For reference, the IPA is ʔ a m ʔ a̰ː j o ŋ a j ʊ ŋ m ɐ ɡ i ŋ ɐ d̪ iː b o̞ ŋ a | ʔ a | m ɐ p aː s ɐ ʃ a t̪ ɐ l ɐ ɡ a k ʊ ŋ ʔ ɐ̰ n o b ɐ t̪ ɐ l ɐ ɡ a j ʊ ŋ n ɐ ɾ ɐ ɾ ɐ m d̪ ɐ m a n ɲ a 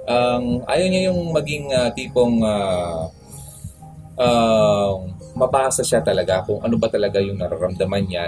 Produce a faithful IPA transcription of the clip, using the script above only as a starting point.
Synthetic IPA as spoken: ʔ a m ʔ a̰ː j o ɲ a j ʊ ŋ m ɐ ɡ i ŋ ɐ t̪ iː p o̞ ŋ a | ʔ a | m ɐ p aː s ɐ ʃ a t̪ ɐ l ɐ ɡ a k ʊ ŋ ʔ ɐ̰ n o b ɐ t̪ ɐ l ɐ ɡ a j ʊ ŋ n ɐ ɾ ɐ ɾ ɐ m d̪ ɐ m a n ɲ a